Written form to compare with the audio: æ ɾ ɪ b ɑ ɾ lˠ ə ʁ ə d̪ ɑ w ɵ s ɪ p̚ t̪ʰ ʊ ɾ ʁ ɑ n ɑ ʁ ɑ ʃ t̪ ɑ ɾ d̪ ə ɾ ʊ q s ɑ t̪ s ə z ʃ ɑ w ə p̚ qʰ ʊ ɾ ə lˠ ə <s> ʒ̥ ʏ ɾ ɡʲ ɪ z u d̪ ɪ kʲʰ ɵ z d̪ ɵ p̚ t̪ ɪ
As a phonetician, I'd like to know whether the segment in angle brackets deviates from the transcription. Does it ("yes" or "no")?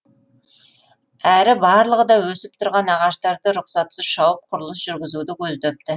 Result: no